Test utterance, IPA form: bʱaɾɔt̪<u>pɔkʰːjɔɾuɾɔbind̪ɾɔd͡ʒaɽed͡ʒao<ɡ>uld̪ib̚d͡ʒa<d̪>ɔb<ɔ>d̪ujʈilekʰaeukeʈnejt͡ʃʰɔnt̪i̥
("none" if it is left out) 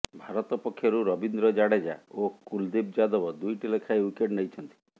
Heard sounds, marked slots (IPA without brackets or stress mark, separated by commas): ɔ, k, d̪, ɔ